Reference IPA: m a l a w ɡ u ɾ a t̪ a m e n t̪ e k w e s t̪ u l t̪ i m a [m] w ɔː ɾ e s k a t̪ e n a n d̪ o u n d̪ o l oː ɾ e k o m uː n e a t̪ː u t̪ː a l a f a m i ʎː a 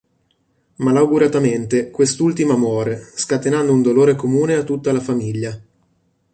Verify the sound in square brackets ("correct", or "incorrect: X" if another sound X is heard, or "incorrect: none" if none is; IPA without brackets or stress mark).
correct